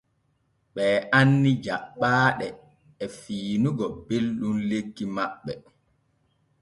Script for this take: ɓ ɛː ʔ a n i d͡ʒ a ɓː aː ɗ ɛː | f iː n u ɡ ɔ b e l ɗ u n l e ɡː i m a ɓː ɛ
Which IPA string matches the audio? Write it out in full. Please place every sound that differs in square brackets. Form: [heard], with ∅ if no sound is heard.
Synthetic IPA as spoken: ɓ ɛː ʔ a [nː] i d͡ʒ a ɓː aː ɗ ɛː | f iː n u ɡ ɔ b e l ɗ u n l e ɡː i m a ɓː ɛ